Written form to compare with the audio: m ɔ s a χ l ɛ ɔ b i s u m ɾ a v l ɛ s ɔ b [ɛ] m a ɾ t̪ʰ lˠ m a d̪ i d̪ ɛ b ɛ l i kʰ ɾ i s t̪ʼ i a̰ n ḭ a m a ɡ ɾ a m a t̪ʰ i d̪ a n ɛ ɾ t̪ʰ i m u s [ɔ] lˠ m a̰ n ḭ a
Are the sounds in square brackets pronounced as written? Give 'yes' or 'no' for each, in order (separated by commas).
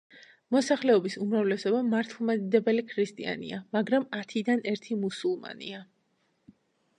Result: no, no